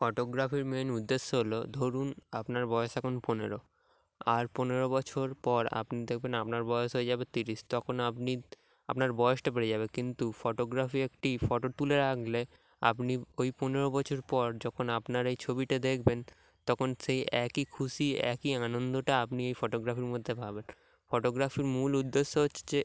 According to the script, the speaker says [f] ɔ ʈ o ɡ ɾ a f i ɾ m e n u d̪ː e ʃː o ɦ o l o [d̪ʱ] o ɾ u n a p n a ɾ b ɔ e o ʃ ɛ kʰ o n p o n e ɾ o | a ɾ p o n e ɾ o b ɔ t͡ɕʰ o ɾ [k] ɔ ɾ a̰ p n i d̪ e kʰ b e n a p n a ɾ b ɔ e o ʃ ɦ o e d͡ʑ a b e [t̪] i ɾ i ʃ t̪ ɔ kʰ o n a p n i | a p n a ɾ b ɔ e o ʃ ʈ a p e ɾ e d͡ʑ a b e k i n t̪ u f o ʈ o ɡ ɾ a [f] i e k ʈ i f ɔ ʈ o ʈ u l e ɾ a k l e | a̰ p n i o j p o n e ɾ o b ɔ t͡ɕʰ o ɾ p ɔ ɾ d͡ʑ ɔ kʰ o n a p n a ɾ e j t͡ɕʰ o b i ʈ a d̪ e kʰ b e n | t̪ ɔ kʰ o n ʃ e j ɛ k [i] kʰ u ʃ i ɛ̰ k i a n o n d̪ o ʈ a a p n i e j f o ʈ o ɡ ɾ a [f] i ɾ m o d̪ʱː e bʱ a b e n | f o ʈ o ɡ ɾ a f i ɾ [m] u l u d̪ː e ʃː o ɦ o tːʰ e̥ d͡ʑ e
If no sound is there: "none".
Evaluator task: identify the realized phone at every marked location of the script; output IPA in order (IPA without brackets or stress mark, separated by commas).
f, d̪ʱ, p, t̪, f, i, f, m